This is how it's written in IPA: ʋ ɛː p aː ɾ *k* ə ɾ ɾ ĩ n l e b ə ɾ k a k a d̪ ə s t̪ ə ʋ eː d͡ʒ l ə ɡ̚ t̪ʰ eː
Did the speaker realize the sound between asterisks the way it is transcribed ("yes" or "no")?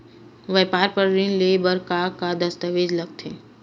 no